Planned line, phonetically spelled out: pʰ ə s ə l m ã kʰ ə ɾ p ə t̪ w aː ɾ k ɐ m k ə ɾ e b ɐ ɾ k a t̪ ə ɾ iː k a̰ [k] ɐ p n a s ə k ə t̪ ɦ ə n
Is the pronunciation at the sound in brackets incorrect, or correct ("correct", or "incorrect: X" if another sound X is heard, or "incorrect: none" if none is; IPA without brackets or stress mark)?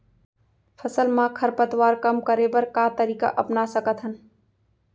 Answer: incorrect: ʔ